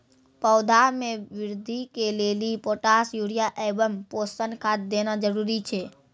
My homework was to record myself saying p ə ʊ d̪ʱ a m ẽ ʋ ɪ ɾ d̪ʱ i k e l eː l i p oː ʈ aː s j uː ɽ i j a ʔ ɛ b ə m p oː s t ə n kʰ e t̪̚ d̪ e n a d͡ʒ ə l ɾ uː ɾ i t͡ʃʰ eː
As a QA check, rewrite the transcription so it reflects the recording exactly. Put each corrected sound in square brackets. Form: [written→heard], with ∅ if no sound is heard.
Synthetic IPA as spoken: p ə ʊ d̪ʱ a m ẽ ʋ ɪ ɾ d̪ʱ i k e l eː l i p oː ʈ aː s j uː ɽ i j a ʔ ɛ b ə m p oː s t ə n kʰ [e→a] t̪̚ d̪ e n a d͡ʒ ə [l→∅] ɾ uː ɾ i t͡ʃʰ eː